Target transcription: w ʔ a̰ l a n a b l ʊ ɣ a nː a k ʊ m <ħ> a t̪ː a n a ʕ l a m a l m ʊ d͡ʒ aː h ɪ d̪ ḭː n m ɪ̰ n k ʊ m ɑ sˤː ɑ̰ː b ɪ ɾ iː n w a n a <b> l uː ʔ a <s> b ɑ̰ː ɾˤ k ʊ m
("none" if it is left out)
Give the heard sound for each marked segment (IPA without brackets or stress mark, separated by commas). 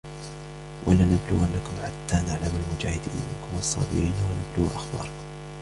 ħ, b, x